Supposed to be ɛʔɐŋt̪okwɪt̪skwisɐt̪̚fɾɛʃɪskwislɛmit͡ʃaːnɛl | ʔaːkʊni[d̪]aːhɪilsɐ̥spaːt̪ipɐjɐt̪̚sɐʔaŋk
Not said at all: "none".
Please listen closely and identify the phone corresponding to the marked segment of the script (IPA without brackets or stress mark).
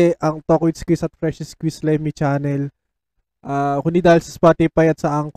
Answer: d̪